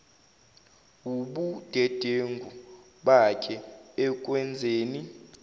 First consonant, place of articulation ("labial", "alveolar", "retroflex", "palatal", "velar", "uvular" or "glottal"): labial